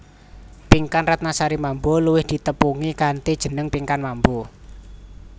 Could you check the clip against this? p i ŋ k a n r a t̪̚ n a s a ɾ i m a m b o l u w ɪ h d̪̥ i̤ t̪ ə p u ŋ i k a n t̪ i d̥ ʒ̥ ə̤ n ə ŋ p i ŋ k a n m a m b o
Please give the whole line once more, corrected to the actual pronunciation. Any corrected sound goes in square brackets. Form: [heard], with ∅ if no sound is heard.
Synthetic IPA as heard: p i ŋ k a n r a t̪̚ n a s a ɾ i m a m b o l u w ɪ h d̪̥ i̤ t̪ ə p u ŋ i k a n t̪ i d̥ ʒ̥ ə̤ n ə ŋ p i ŋ k a n m a m b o